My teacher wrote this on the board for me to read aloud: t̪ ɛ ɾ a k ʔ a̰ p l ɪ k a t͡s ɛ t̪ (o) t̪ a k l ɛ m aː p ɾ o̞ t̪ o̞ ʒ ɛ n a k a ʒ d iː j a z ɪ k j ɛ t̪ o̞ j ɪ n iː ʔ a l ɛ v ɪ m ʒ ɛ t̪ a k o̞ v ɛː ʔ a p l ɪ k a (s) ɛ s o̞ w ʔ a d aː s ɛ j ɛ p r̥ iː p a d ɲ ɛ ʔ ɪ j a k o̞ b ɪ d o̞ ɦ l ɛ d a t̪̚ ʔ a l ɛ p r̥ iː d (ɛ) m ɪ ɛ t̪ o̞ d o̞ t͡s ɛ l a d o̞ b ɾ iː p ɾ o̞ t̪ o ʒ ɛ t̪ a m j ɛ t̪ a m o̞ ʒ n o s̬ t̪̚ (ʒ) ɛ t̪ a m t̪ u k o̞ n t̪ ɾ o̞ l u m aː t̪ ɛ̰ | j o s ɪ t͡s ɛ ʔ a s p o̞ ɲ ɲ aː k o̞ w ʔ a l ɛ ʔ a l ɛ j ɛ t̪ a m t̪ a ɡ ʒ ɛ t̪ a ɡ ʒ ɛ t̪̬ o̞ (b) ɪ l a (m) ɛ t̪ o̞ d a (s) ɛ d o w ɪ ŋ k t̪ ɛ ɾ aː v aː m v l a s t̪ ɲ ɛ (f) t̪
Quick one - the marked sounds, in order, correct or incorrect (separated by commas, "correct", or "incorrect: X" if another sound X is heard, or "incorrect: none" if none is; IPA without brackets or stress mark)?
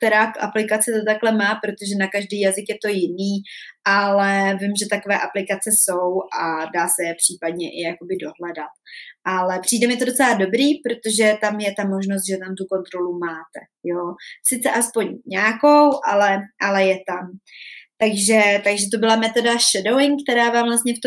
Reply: correct, incorrect: t͡s, correct, correct, correct, correct, incorrect: ʃ, correct